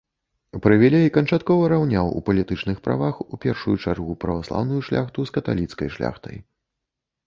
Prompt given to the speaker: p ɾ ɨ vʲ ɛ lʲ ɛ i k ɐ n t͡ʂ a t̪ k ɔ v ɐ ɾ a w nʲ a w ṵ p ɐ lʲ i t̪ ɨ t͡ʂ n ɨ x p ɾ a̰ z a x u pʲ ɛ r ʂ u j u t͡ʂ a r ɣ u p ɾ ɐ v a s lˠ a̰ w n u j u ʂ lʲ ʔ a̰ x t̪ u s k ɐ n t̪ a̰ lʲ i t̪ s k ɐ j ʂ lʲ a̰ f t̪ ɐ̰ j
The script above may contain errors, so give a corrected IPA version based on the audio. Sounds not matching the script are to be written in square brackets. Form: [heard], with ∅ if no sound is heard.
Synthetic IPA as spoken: p ɾ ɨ vʲ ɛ lʲ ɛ i k ɐ n t͡ʂ a t̪ k ɔ v ɐ ɾ a w nʲ a w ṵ p ɐ lʲ i t̪ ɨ t͡ʂ n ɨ x p ɾ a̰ [v] a x u pʲ ɛ r ʂ u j u t͡ʂ a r ɣ u p ɾ ɐ v a s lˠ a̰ w n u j u ʂ lʲ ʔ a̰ x t̪ u s k ɐ [∅] t̪ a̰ lʲ i t̪ s k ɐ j ʂ lʲ a̰ [x] t̪ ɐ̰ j